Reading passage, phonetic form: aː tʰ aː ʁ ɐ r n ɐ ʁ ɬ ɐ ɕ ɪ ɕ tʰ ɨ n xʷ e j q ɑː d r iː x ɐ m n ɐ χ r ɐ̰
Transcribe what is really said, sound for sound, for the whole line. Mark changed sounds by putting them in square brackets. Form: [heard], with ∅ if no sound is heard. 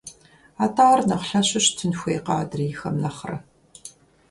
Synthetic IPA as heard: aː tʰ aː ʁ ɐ r n ɐ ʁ ɬ ɐ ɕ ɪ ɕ tʰ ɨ n xʷ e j q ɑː d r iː x ɐ m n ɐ χ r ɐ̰